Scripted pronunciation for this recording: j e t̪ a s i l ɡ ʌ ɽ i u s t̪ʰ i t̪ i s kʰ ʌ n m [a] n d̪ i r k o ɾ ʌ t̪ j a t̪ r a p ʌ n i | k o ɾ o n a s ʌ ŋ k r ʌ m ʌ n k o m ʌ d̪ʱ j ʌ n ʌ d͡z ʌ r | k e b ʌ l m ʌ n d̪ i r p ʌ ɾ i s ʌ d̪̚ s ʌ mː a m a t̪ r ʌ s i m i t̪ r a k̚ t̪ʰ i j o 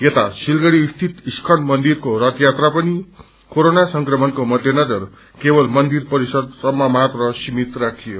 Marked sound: incorrect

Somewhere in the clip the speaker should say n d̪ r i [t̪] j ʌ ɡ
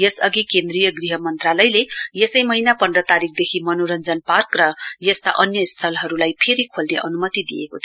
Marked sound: incorrect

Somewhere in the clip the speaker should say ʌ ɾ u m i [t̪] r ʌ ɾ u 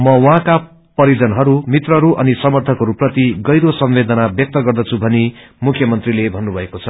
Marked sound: correct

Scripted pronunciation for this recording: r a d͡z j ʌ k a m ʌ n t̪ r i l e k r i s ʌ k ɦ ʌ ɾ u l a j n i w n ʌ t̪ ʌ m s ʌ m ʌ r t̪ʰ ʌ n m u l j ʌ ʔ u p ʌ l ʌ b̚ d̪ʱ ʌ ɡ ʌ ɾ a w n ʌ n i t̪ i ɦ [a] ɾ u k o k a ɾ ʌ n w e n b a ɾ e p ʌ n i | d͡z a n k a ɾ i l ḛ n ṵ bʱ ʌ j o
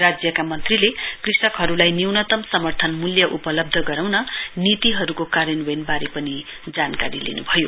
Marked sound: incorrect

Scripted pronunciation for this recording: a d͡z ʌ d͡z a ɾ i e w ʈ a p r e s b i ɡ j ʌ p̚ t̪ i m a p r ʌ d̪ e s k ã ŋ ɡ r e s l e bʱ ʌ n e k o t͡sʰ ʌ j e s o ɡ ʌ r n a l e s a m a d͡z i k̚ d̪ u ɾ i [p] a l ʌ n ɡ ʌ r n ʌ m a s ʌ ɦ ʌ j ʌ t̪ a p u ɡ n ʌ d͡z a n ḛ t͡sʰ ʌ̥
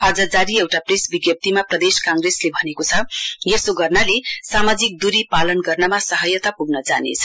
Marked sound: correct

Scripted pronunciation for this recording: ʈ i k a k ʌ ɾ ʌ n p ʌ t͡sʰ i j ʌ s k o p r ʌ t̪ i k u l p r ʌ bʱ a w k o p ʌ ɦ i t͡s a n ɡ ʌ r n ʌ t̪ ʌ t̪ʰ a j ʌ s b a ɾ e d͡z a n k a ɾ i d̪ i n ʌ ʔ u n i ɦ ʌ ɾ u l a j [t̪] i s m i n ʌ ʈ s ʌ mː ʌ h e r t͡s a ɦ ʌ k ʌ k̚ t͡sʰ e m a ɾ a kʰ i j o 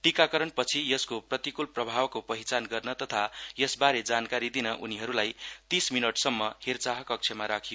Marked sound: correct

